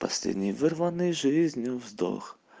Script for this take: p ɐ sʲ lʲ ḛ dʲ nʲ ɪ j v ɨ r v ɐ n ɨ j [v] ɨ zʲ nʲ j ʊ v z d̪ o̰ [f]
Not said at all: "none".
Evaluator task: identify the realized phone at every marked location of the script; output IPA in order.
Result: ʐ, x

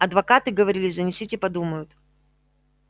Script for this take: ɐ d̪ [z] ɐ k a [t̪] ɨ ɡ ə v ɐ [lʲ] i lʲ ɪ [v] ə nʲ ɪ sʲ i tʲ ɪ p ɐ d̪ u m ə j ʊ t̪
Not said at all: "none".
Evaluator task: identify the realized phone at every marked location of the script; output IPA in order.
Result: v, t̪, ɾʲ, z

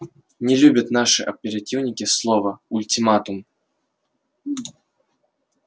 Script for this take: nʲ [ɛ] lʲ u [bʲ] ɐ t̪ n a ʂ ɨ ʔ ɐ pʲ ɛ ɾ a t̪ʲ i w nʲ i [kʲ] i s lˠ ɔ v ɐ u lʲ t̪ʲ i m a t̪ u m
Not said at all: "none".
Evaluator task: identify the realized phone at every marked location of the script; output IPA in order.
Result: ɛ, bʲ, kʲ

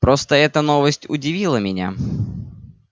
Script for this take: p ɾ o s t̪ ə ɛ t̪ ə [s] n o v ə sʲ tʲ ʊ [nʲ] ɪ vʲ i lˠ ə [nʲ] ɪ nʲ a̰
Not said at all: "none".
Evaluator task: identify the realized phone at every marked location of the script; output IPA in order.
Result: none, dʲ, mʲ

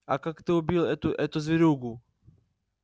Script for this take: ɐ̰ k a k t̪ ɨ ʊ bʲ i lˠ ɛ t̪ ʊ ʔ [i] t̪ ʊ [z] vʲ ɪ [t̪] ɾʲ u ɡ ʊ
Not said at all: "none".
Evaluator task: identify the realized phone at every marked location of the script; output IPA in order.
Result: ɛ, z, none

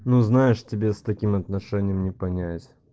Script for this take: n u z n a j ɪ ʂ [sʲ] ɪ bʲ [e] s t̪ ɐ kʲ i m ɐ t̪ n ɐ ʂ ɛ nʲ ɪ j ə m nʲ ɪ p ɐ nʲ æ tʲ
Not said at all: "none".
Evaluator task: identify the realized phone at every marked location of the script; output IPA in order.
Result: tʲ, e

